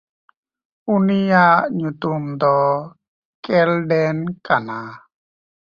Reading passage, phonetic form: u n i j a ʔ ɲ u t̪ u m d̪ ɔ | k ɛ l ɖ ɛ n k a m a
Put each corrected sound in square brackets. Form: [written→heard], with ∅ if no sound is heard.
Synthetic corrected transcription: u n i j a ʔ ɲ u t̪ u m d̪ ɔ | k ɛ l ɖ ɛ n k a [m→n] a